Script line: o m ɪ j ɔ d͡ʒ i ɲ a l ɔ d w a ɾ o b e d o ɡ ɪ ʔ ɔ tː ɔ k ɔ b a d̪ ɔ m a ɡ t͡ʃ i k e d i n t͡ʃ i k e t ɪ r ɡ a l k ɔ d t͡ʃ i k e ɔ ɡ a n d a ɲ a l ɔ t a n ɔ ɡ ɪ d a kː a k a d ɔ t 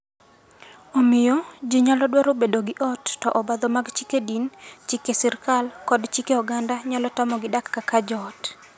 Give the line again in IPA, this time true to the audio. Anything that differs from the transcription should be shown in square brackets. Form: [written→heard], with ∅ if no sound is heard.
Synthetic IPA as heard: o m ɪ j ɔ d͡ʒ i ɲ a l ɔ d w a ɾ o b e d o ɡ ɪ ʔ ɔ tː ɔ [k→ʔ] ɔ b a d̪ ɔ m a ɡ t͡ʃ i k e d i n t͡ʃ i k e [t→s] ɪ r [ɡ→k] a l k ɔ d t͡ʃ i k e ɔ ɡ a n d a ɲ a l ɔ t a [n→m] ɔ ɡ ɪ d a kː a k a [d→d͡ʒ] ɔ t